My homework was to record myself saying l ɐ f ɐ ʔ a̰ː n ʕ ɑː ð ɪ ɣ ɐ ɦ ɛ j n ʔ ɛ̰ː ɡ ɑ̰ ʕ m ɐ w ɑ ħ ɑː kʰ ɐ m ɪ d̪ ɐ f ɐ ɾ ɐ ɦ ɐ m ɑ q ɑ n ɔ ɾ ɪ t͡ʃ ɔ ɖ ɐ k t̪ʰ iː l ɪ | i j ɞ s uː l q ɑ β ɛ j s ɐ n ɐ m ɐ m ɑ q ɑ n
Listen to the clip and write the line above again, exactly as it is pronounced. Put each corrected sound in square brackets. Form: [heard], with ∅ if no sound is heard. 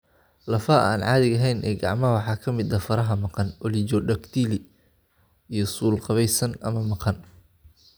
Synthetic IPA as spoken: l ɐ f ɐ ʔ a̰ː n ʕ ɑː ð ɪ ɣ ɐ ɦ ɛ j n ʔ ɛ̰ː ɡ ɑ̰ ʕ m ɐ w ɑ ħ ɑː kʰ ɐ m ɪ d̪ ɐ f ɐ ɾ ɐ ɦ ɐ m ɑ q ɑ n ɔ [l] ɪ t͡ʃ ɔ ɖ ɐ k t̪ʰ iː l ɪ | i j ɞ s uː l q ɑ β ɛ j s ɐ n ɐ m ɐ m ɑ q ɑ n